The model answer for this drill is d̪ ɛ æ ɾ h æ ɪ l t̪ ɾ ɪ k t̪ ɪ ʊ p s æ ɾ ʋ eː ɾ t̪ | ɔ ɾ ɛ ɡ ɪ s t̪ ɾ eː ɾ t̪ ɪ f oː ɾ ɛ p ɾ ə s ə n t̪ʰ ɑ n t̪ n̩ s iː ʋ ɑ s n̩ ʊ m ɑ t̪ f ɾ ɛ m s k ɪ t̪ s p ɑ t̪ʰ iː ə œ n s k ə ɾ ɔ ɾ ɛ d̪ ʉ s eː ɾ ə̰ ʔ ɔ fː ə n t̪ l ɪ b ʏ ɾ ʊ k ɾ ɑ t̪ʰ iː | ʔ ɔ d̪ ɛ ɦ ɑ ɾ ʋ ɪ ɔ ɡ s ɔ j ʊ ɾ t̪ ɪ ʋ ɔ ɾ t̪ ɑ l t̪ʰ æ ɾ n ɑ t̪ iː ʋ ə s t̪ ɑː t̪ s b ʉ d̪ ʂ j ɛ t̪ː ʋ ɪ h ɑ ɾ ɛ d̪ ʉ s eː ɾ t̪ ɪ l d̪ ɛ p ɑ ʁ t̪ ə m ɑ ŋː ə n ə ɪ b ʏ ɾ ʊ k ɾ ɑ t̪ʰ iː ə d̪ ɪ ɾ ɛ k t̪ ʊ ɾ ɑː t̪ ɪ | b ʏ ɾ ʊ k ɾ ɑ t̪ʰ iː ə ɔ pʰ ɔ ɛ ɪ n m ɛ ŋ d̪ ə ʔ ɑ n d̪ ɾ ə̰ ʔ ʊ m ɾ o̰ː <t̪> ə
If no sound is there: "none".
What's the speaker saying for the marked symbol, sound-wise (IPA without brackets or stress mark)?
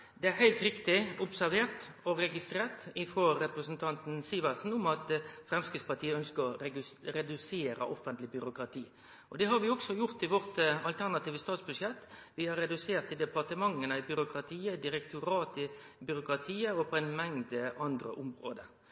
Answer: d̪